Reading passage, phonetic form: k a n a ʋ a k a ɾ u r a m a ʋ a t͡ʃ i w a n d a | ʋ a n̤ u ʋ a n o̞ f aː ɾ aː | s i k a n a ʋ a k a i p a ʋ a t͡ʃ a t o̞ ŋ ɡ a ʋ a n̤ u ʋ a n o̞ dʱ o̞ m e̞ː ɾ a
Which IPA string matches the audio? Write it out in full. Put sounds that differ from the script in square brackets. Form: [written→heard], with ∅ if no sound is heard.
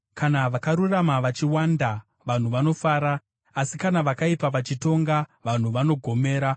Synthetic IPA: k a n a ʋ a k a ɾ u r a m a ʋ a t͡ʃ i w a n d a | ʋ a n̤ u ʋ a n o̞ f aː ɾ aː | s i k a n a ʋ a k a i p a ʋ a t͡ʃ [a→i] t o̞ ŋ ɡ a ʋ a n̤ u ʋ a n o̞ [dʱ→ɡʱ] o̞ m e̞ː ɾ a